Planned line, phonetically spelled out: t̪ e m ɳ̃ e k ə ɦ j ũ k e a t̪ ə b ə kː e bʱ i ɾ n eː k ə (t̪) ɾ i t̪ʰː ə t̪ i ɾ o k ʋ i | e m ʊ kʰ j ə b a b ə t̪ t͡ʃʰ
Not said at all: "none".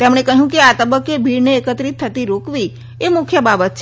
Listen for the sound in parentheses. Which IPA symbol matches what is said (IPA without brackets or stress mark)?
t̪